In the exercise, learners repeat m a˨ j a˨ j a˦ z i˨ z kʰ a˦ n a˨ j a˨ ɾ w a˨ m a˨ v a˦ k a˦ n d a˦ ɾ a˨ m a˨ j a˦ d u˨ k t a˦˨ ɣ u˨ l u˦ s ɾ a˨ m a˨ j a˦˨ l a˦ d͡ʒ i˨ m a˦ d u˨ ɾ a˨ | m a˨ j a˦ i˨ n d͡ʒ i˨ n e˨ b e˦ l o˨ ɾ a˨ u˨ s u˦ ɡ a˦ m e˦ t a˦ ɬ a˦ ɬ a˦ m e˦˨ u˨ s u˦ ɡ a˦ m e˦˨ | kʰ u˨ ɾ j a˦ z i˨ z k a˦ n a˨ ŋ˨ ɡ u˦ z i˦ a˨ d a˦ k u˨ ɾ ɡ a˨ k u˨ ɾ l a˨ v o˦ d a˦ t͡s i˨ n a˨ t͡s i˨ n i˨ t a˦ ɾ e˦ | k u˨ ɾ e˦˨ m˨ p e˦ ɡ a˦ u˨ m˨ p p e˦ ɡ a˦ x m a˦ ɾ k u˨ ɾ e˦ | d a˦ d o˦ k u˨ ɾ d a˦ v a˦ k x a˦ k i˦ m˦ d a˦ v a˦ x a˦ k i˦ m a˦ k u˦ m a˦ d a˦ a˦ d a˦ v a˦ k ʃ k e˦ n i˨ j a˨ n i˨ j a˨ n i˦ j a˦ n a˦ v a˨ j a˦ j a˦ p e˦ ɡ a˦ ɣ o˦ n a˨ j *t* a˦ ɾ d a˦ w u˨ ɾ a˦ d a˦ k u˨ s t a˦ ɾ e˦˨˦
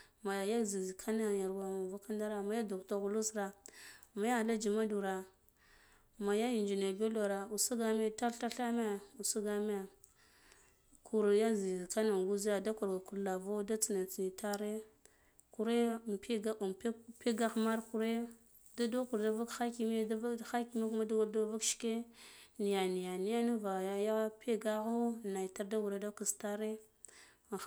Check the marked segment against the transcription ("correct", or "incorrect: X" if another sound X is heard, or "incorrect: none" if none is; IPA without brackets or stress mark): correct